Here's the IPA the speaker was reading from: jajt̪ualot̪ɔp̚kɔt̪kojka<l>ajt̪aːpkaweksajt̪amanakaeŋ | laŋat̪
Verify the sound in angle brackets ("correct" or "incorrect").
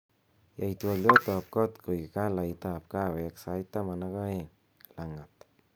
correct